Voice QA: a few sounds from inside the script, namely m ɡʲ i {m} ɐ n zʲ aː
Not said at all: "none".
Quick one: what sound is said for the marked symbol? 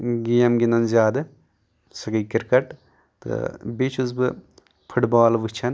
n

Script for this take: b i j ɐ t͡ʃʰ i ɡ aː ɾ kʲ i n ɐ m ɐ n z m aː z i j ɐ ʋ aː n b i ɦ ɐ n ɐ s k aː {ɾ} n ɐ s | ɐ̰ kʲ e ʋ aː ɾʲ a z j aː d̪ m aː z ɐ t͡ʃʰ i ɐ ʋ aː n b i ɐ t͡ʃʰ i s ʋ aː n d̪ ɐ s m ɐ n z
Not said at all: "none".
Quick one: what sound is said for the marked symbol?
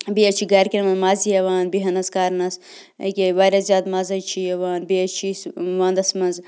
ɾ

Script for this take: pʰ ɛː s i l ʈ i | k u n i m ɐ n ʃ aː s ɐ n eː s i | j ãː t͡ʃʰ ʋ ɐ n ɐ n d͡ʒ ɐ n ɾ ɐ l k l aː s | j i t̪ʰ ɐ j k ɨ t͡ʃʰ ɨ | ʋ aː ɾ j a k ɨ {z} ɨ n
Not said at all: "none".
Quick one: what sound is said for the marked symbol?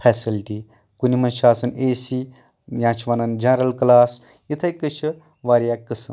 s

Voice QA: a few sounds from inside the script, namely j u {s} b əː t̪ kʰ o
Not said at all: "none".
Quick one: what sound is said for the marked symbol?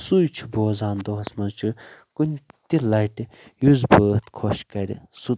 z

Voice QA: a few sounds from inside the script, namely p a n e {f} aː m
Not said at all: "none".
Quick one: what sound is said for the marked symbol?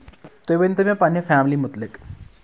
f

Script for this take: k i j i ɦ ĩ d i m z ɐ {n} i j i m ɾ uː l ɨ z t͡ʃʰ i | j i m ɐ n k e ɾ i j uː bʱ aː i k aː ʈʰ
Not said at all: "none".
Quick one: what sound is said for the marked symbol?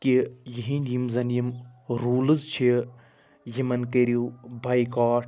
n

